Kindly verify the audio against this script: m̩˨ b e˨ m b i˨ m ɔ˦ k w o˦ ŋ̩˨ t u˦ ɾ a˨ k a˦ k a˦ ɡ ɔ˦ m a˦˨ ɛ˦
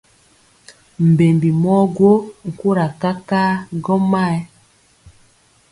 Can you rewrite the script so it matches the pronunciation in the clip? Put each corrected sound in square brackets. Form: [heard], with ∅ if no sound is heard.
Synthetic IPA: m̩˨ b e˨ m b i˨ m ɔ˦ [ɡ] w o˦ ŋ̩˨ [k] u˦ ɾ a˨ k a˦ k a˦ ɡ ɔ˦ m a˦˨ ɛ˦